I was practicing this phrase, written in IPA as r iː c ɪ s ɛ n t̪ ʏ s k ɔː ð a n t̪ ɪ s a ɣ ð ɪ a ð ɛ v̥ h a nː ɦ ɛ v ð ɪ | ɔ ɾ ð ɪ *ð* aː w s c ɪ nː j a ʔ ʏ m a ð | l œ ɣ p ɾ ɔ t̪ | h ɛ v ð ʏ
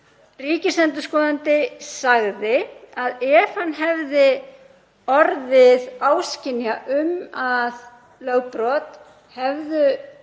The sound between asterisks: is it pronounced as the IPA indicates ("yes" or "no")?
yes